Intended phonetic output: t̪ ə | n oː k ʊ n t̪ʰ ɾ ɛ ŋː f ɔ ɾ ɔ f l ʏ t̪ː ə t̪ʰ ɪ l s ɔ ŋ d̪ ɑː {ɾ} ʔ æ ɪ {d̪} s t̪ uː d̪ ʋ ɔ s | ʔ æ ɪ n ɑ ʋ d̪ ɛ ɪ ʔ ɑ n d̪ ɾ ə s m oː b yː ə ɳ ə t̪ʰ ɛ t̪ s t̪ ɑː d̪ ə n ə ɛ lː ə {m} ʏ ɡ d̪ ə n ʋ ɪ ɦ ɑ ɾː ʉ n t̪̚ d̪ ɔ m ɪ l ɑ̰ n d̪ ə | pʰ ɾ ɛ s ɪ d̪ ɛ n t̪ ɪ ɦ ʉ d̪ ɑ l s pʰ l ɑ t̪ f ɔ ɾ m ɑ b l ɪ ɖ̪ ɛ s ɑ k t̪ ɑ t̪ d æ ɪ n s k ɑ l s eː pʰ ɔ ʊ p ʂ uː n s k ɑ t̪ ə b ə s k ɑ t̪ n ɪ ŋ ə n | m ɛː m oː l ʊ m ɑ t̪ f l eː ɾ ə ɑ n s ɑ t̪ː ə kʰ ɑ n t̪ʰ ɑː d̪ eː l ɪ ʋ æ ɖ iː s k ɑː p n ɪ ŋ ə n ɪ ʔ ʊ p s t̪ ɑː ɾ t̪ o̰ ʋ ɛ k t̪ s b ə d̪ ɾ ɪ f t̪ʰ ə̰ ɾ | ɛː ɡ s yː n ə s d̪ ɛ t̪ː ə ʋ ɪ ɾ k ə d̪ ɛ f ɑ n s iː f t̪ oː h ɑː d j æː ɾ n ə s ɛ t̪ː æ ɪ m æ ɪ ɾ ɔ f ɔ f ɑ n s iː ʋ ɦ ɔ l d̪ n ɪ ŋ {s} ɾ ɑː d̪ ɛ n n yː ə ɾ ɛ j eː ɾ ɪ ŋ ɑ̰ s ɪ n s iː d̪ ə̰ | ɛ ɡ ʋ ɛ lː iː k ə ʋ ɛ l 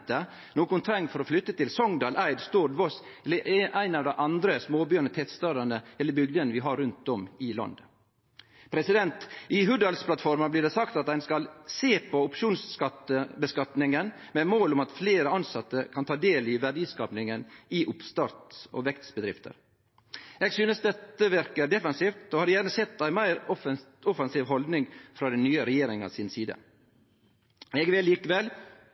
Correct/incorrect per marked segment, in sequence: incorrect: l, correct, incorrect: b, incorrect: f

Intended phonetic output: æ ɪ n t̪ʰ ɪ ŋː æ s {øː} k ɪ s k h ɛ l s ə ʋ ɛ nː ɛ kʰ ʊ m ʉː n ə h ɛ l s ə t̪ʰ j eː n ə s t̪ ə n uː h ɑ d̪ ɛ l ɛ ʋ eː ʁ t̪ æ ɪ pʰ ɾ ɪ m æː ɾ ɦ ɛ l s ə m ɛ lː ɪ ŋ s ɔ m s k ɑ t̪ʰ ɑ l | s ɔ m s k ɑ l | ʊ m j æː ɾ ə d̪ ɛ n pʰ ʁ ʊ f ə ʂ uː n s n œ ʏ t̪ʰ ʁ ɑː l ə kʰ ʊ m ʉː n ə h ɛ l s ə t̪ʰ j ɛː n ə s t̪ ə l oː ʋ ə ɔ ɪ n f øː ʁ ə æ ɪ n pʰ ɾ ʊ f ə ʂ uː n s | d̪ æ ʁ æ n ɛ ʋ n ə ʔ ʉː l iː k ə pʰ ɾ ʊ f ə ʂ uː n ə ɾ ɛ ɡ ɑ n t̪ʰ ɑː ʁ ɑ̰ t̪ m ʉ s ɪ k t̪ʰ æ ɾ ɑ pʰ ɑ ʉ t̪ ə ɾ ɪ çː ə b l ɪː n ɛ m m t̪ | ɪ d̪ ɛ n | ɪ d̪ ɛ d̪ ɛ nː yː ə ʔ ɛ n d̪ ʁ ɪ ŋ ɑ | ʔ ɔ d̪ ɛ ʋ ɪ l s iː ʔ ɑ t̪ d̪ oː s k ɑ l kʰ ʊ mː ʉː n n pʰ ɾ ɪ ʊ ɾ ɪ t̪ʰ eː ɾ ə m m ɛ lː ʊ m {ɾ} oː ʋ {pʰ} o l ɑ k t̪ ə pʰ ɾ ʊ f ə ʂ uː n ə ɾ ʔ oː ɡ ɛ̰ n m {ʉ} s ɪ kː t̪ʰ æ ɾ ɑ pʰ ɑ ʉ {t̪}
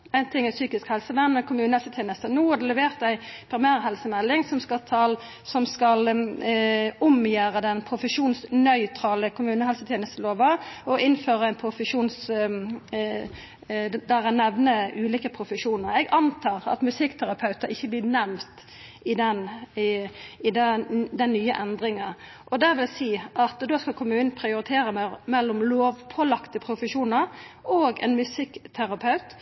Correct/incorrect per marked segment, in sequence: incorrect: yː, incorrect: l, correct, correct, correct

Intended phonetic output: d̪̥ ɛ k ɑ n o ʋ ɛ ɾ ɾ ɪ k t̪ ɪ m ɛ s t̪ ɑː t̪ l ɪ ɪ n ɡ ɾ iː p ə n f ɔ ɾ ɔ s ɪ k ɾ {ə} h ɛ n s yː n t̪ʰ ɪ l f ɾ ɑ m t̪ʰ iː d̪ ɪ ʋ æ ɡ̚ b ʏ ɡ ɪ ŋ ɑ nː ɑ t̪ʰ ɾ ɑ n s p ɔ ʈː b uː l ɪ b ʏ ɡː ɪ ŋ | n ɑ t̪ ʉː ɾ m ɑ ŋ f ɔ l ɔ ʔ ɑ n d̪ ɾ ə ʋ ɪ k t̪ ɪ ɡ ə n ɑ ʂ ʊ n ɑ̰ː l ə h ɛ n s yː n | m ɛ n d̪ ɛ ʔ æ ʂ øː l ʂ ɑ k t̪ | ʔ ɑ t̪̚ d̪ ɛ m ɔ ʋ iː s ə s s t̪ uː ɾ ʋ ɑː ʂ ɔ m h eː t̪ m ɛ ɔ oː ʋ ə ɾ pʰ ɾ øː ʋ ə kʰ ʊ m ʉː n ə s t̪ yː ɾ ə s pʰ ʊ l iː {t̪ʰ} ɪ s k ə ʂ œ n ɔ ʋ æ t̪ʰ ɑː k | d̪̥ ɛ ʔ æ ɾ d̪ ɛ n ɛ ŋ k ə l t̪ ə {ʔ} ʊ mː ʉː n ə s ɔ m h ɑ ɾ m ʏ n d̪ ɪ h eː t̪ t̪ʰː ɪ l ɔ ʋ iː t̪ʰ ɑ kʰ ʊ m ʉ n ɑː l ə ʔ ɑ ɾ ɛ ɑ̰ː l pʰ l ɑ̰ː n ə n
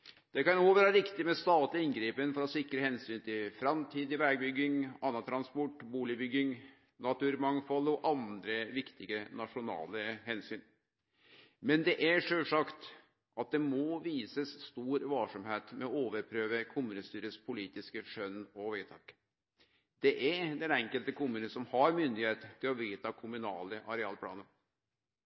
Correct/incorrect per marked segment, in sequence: correct, incorrect: t̪, incorrect: k

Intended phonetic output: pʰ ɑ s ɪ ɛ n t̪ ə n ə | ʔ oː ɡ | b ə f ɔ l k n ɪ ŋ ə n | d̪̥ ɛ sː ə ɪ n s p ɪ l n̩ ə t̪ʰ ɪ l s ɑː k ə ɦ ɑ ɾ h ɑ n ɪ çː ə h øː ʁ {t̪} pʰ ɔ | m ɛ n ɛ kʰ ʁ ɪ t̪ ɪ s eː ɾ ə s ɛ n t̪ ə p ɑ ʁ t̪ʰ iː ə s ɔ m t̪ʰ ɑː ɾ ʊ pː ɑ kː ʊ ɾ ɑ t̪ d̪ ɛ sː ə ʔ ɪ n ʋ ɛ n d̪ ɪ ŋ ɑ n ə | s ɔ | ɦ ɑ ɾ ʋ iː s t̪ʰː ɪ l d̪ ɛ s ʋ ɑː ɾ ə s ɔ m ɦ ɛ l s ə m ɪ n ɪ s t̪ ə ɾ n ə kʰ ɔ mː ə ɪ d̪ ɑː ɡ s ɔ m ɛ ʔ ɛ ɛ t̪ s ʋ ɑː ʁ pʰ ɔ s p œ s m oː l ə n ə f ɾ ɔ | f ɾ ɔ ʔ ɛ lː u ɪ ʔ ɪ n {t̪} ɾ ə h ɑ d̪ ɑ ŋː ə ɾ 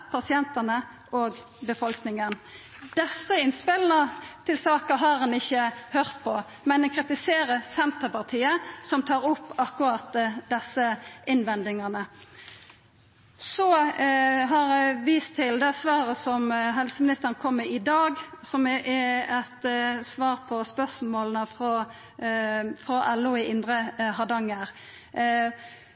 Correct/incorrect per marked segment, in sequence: correct, incorrect: d̪

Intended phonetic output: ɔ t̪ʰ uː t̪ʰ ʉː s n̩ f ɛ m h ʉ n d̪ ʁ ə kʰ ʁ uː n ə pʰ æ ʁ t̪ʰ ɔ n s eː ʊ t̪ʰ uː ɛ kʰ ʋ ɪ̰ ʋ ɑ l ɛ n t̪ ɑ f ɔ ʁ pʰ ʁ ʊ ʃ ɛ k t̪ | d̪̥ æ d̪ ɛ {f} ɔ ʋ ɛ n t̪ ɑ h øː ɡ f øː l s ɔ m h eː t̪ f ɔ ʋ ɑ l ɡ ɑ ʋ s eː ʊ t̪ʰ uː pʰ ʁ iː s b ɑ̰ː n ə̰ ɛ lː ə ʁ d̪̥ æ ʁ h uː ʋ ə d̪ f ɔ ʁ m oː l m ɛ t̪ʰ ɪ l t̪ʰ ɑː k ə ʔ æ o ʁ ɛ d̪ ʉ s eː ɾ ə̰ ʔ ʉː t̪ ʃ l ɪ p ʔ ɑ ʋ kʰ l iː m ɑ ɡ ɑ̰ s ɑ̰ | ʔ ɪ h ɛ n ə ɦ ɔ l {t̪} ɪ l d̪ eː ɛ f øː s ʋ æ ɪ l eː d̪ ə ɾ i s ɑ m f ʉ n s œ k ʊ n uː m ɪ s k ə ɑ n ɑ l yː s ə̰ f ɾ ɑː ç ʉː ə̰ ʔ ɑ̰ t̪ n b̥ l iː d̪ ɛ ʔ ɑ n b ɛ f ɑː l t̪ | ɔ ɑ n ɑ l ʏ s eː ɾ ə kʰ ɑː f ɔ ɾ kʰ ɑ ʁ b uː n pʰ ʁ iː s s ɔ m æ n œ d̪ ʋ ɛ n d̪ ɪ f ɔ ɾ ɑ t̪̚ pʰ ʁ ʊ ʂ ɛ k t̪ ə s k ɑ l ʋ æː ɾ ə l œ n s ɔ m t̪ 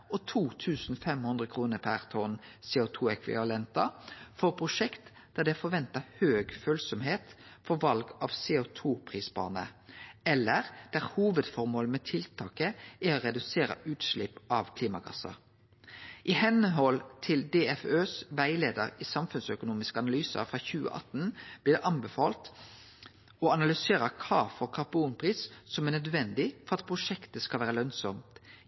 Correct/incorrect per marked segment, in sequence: correct, incorrect: t̪ʰ

